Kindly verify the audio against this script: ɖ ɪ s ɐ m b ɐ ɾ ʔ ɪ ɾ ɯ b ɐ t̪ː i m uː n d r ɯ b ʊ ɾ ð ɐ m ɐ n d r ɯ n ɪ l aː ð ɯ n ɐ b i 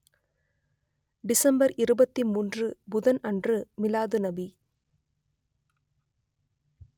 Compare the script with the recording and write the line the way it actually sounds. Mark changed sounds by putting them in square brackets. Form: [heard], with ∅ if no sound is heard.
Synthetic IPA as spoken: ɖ ɪ s ɐ m b ɐ ɾ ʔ ɪ ɾ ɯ b ɐ t̪ː i m uː n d r ɯ b ʊ [∅] ð ɐ [n] ɐ n d r ɯ [m] ɪ l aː ð ɯ n ɐ b i